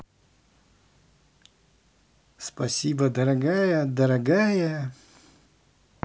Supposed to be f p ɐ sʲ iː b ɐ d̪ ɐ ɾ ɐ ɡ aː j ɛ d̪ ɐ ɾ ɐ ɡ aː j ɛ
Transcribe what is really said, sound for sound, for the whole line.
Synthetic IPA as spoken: s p ɐ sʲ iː b ɐ d̪ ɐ ɾ ɐ ɡ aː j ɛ d̪ ɐ ɾ ɐ ɡ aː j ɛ